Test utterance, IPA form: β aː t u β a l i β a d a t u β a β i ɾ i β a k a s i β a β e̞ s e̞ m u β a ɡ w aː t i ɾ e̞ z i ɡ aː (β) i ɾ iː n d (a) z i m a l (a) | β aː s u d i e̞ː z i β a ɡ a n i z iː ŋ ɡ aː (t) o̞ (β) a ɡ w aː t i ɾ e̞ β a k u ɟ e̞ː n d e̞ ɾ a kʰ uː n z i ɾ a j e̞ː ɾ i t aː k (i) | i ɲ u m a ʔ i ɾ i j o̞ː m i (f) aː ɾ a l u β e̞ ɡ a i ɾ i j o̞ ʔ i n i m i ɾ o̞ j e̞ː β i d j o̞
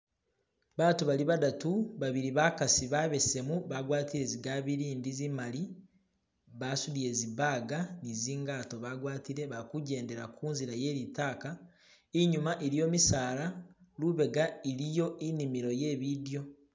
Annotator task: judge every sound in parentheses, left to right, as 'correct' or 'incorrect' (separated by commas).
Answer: correct, incorrect, incorrect, correct, correct, incorrect, incorrect